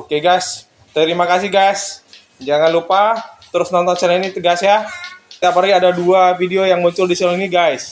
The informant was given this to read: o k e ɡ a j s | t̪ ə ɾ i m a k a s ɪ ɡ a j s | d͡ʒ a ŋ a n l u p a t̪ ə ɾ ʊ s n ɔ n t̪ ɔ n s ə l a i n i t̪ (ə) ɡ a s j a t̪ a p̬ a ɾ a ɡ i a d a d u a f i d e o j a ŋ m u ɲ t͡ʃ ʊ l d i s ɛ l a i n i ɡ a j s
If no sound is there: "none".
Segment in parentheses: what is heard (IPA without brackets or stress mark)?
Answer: ə